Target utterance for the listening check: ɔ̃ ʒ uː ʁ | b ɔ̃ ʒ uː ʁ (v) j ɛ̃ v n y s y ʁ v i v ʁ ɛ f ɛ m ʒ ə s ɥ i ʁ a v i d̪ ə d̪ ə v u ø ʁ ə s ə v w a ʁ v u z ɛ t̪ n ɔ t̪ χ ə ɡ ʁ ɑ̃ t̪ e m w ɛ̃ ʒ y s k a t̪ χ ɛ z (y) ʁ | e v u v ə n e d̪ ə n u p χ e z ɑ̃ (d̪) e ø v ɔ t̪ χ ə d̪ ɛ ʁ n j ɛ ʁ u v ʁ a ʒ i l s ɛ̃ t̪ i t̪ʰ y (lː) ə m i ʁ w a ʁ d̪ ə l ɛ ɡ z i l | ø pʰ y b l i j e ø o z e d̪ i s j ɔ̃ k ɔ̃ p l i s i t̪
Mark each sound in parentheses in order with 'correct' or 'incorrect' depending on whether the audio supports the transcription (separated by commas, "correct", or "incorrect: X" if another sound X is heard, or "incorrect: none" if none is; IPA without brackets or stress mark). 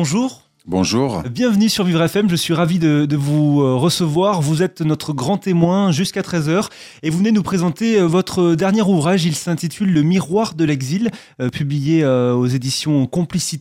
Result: incorrect: b, incorrect: œ, incorrect: t̪, correct